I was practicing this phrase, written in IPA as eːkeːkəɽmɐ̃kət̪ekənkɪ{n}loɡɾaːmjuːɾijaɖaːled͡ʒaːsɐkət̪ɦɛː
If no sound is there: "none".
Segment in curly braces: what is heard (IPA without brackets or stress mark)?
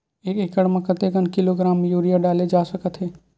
none